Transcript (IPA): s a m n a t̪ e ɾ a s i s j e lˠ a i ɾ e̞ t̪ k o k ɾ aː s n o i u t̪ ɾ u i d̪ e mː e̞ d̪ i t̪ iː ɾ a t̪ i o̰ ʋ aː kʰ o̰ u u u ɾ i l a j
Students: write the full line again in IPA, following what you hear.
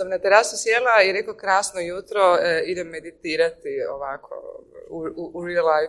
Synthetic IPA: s a m n a t̪ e ɾ a s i s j e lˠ a i ɾ e̞ k o k ɾ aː s n o j u t̪ ɾ o i d̪ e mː e̞ d̪ i t̪ iː ɾ a t̪ i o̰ ʋ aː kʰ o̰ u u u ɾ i l a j